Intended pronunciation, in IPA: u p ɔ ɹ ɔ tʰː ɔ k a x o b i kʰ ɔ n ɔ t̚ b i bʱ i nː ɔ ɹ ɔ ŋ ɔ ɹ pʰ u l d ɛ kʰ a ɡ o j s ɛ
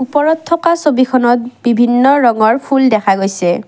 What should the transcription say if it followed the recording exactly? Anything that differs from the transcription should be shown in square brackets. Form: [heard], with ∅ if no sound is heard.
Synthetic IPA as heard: u p ɔ ɹ ɔ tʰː ɔ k a [s] o b i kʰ ɔ n ɔ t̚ b i bʱ i nː ɔ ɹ ɔ ŋ ɔ ɹ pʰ u l d ɛ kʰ a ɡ o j s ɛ